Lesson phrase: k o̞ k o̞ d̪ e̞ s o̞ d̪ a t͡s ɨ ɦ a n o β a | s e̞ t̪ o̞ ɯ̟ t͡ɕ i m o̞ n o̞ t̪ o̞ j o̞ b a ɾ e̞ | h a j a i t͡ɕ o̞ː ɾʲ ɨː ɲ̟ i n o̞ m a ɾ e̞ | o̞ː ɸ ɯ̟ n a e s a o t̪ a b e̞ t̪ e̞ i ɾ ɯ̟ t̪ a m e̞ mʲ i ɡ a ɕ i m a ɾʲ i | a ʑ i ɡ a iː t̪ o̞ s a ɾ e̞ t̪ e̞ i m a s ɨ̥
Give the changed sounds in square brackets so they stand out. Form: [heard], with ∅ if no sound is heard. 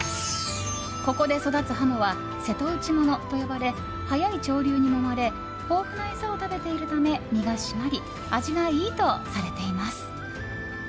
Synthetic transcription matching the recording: k o̞ k o̞ d̪ e̞ s o̞ d̪ a t͡s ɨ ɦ a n o β a | s e̞ t̪ o̞ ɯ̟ t͡ɕ i m o̞ n o̞ t̪ o̞ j o̞ b a ɾ e̞ | h a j a i t͡ɕ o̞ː ɾʲ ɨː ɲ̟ i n o̞ m a ɾ e̞ | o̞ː ɸ ɯ̟ n a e s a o t̪ a b e̞ t̪ e̞ i ɾ ɯ̟ t̪ a m e̞ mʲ i ɡ a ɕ i m a ɾʲ i | a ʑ i ɡ a iː t̪ o̞ s a ɾ e̞ t̪ e̞ i m a s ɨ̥